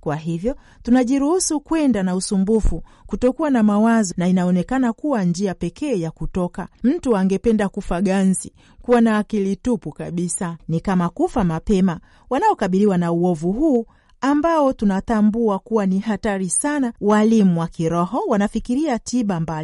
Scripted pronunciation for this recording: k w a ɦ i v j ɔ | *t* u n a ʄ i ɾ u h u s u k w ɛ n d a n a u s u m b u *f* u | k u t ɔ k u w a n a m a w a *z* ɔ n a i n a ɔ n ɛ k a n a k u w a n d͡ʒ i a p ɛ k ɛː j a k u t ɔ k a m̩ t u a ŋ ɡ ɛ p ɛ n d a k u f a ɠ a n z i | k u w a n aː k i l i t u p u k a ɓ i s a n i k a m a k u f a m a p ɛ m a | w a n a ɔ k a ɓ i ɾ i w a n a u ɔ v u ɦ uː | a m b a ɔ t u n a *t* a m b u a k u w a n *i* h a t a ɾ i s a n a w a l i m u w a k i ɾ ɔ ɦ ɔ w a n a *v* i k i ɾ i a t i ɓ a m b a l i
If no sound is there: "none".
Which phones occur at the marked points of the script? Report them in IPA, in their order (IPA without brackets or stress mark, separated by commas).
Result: t, f, z, t, i, f